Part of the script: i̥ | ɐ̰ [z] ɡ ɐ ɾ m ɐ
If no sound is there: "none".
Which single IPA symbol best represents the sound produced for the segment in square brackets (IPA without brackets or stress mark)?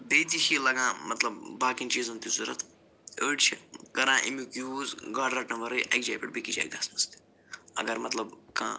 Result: none